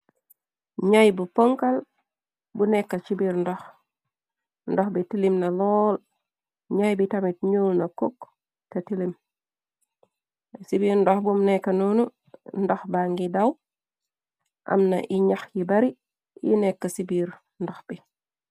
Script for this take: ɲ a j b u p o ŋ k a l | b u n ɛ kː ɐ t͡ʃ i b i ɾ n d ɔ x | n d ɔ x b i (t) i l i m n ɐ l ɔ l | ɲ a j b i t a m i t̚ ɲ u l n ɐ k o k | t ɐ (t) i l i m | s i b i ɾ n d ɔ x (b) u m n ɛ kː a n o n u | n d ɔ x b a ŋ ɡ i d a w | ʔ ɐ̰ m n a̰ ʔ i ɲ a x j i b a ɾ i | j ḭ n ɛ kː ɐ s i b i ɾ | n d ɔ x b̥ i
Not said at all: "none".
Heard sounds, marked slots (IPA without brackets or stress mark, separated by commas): t, t, b